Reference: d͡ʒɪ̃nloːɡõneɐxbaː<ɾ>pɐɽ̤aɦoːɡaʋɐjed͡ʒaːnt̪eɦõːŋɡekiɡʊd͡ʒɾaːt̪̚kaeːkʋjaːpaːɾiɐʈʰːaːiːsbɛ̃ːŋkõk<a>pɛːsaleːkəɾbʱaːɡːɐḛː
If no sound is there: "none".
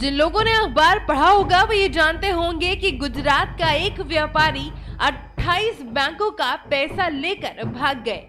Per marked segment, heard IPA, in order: ɾ, a

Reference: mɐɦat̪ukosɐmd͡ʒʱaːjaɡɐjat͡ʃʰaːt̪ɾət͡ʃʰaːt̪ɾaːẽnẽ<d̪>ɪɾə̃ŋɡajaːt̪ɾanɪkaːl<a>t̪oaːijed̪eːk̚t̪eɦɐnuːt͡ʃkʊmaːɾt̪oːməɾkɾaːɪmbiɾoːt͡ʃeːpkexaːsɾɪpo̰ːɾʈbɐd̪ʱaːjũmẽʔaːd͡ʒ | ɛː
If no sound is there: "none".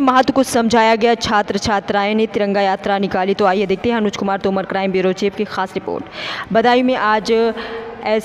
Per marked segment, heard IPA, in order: t̪, i

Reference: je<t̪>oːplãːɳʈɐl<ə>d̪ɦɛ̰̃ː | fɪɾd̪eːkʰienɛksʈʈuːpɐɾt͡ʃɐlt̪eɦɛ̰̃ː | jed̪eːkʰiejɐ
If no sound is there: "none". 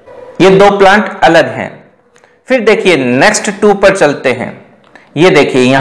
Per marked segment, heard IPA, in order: d̪, ə

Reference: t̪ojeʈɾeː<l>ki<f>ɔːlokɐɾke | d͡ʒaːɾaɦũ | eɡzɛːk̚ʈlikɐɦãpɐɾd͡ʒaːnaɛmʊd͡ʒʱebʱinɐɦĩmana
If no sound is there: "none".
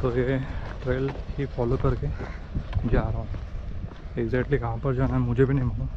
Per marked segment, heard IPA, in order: l, f

